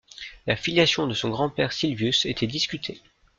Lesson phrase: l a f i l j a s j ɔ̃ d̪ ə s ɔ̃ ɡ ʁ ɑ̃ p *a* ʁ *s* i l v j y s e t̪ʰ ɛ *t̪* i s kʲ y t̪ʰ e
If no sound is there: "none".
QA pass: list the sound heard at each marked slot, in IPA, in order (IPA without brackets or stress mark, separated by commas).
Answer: ɛ, s, d̪